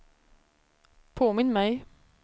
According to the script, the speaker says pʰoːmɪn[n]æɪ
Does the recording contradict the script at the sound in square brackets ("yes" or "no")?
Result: yes